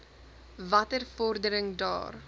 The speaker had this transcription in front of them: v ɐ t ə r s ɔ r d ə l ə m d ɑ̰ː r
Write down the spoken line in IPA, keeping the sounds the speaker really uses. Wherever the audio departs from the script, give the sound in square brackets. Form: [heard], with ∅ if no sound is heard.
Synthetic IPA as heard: v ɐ t ə r [f] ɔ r d ə [ɾ] ə [ŋ] d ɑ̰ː r